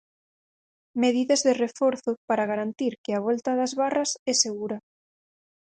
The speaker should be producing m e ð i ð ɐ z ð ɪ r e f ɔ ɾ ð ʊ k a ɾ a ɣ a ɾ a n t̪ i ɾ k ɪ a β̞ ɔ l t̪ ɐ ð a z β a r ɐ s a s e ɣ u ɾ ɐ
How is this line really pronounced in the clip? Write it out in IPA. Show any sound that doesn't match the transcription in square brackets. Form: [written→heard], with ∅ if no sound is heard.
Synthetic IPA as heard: m e ð i ð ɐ z ð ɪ r e f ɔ ɾ [ð→θ] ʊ [k→p] a ɾ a ɣ a ɾ a n t̪ i ɾ k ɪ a β̞ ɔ l t̪ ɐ ð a z β a r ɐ s [a→ɛ] s e ɣ u ɾ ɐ